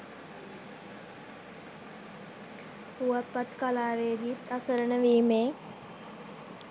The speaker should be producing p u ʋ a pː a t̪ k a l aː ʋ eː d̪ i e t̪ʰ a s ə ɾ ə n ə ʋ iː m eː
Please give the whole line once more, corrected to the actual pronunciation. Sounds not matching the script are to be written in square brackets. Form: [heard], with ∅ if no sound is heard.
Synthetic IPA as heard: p u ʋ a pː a t̪ k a l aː ʋ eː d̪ i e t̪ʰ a s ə ɾ ə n ə ʋ iː m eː